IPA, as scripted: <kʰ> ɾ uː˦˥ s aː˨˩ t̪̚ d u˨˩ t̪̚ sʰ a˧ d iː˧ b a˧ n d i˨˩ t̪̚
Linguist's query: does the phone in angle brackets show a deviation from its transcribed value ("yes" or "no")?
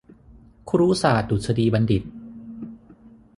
no